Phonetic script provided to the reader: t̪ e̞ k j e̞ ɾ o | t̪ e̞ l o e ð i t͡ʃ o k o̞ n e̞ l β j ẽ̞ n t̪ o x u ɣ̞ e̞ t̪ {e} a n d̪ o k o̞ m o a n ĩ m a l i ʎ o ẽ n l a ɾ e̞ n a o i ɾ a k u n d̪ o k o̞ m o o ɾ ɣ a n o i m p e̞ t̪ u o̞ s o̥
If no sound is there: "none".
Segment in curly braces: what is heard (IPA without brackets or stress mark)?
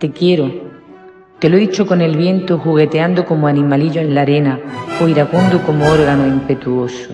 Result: e